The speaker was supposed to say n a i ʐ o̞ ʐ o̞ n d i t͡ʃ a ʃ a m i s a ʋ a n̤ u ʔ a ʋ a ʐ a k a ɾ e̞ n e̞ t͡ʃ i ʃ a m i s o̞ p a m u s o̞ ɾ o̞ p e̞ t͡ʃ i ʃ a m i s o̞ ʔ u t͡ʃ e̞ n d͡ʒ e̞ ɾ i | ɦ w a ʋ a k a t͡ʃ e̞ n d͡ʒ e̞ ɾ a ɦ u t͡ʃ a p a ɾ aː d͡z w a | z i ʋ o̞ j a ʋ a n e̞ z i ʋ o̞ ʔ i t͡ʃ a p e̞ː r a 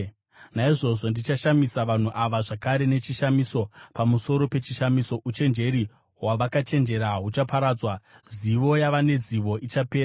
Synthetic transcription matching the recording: n a i ʐ o̞ ʐ o̞ n d i t͡ʃ a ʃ a m i s a ʋ a n̤ u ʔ a ʋ a ʐ a k a ɾ e̞ n e̞ t͡ʃ i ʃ a m i s o̞ p a m u s o̞ ɾ o̞ p e̞ t͡ʃ i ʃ a m i s o̞ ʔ u t͡ʃ e̞ n d͡ʒ e̞ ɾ i | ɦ w a ʋ a k a t͡ʃ e̞ n d͡ʒ e̞ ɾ a ɦ u t͡ʃ a p a ɾ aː d͡z w a | z i ʋ o̞ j a ʋ a n e̞ z i ʋ o̞ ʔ i t͡ʃ a p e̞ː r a